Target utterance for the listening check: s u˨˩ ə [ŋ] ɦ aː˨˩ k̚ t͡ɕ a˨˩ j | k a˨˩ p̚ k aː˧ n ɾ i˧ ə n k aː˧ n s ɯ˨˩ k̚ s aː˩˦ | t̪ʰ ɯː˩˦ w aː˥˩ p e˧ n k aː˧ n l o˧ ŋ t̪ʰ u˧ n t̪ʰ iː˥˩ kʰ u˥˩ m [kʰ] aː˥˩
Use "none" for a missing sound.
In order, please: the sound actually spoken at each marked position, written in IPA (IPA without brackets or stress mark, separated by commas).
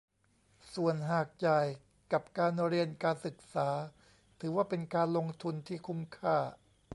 n, kʰ